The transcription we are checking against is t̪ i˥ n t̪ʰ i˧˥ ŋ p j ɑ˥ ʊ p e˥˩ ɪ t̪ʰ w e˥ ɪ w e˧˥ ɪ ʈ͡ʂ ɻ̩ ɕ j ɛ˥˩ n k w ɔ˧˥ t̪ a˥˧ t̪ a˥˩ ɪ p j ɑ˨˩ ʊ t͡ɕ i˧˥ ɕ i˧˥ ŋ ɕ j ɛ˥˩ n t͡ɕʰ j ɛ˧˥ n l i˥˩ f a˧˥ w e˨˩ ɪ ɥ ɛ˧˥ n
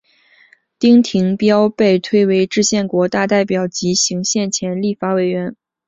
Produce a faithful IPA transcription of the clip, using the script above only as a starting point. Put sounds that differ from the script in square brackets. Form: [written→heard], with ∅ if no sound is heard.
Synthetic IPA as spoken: t̪ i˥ [n→ŋ] t̪ʰ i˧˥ ŋ p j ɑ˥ ʊ p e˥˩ ɪ t̪ʰ w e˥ ɪ w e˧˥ ɪ ʈ͡ʂ ɻ̩ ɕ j ɛ˥˩ n k w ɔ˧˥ t̪ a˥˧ t̪ a˥˩ ɪ p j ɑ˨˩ ʊ t͡ɕ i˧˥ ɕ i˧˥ ŋ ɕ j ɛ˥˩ n t͡ɕʰ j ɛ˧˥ n l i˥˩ f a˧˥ w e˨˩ ɪ ɥ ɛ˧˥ n